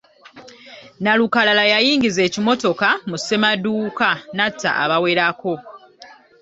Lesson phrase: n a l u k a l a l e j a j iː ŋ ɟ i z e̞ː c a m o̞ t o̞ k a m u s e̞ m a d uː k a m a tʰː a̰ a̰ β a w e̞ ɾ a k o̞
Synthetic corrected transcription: n a l u k a l a l a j a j iː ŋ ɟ i z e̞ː c i m o̞ t o̞ k a m u s e̞ m a d uː k a n a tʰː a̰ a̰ β a w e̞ ɾ a k o̞

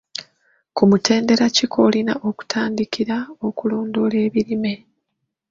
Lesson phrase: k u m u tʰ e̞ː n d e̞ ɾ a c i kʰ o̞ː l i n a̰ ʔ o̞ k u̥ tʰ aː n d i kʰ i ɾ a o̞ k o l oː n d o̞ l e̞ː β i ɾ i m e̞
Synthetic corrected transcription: k u m u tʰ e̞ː n d e̞ ɾ a c i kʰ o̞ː l i n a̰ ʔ o̞ k u̥ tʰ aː n d i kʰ i ɾ a o̞ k u l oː n d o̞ l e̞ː β i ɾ i m e̞

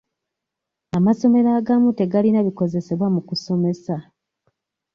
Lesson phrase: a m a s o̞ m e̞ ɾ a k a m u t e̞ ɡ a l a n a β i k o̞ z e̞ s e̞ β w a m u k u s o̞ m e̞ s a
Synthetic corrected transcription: a m a s o̞ m e̞ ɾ a ɡ a m u t e̞ ɡ a l i n a β i k o̞ z e̞ s e̞ β w a m u k u s o̞ m e̞ s a

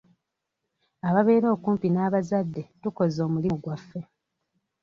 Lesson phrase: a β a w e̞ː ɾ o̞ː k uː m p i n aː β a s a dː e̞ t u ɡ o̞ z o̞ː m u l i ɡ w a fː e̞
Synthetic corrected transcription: a β a β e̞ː ɾ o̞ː k uː m p i n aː β a z a dː e̞ t u k o̞ z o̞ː m u l i ɡ w a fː e̞

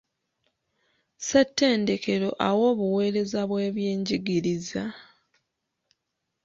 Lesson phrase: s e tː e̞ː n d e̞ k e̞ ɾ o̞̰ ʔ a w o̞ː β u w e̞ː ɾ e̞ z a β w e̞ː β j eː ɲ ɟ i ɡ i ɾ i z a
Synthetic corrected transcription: s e tː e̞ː n d e̞ k e̞ ɾ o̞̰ ʔ a w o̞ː β u w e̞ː ɾ e̞ z a β w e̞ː β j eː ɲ ɟ i ɡ i ɾ i z a

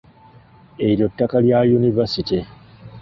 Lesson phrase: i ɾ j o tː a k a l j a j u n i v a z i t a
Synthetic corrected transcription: e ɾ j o tː a k a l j a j u n i v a s i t i

